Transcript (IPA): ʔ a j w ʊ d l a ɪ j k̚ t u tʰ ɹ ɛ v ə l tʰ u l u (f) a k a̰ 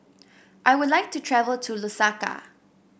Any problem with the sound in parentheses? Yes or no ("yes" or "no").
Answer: yes